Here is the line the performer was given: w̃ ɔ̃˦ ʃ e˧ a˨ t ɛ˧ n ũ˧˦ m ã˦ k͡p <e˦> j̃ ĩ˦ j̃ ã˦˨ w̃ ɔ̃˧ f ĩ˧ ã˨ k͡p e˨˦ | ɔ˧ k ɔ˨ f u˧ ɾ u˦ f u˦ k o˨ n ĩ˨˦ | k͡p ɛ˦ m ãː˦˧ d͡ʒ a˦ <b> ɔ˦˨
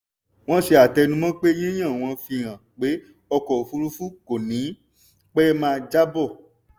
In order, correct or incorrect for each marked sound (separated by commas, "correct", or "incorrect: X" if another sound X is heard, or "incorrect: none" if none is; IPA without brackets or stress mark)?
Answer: correct, correct